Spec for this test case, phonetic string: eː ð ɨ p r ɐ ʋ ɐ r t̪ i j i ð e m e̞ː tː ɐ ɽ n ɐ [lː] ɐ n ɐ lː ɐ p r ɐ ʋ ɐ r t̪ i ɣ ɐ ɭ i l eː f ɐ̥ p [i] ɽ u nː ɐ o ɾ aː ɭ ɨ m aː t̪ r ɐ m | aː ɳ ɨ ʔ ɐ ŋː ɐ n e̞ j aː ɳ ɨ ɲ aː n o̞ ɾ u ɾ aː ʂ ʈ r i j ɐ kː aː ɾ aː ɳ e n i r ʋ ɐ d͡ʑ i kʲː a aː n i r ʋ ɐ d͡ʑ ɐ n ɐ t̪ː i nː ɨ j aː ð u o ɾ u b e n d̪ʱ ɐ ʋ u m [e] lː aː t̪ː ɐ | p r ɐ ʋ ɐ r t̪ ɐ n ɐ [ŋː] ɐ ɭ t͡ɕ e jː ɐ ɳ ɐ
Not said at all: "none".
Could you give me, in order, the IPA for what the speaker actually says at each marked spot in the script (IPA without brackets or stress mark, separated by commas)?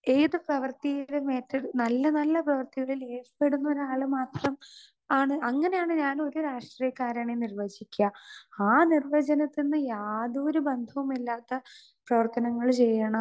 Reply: lː, e, i, ŋː